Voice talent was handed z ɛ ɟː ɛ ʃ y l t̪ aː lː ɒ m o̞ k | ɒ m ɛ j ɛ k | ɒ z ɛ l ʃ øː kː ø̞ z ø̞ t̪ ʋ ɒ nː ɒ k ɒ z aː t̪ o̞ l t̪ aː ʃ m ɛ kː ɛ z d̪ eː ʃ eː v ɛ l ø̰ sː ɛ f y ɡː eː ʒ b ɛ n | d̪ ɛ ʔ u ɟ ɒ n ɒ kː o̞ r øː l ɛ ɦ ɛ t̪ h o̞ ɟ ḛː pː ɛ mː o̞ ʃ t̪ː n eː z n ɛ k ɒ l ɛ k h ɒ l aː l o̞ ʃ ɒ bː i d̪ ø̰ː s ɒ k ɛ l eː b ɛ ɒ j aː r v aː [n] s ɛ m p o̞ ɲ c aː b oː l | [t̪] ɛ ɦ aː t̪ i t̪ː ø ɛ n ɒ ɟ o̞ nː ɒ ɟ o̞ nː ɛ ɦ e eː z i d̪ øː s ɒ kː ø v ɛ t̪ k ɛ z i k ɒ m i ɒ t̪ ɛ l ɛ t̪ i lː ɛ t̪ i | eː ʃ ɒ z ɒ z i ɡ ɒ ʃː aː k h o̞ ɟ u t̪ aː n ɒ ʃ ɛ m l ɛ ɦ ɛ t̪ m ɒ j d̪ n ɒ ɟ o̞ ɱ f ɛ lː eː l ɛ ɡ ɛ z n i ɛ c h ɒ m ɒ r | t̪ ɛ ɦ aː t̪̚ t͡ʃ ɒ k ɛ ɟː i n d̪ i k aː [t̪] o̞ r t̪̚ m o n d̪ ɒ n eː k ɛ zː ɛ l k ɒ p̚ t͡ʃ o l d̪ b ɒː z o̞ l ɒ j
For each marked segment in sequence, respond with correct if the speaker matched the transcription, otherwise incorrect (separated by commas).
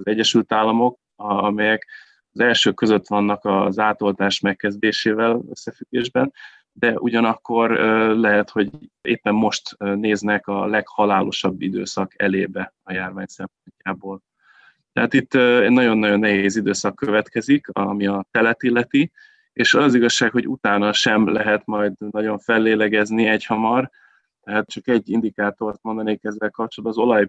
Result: incorrect, correct, correct